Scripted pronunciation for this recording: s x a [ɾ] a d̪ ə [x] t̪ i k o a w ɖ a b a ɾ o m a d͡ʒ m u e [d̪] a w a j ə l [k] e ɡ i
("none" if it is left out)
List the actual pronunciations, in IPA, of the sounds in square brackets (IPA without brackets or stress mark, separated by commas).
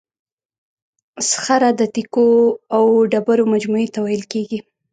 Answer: ɾ, none, t̪, k